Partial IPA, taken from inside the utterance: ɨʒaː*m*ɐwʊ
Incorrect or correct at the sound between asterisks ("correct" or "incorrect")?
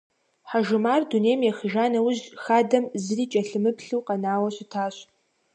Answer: incorrect